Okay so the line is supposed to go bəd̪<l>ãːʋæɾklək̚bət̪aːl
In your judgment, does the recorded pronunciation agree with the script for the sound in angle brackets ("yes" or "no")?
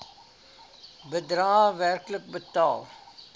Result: no